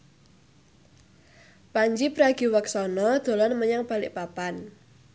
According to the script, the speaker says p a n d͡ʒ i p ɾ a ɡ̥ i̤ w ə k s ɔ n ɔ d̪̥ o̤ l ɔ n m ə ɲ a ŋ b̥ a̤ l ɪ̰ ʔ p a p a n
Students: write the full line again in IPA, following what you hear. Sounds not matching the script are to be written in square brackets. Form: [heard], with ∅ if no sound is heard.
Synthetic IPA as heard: p a [ɲ] d͡ʒ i p ɾ a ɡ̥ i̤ w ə k s ɔ n ɔ d̪̥ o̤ l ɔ n m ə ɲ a ŋ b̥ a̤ l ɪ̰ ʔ p a p a n